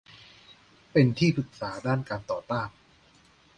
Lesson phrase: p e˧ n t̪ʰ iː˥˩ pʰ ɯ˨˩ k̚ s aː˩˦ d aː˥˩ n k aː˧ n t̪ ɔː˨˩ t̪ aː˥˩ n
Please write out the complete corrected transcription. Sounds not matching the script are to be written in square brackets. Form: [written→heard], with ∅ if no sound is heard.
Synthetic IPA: p e˧ n t̪ʰ iː˥˩ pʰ ɯ˨˩ k̚ s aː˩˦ d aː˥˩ n k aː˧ n t̪ ɔː˨˩ t̪ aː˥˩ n